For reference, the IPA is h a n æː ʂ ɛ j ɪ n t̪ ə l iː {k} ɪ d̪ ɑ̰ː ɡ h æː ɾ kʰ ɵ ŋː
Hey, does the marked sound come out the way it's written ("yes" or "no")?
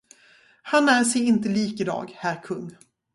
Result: yes